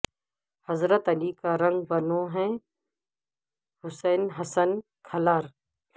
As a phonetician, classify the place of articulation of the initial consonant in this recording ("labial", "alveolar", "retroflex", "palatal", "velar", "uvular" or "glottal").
glottal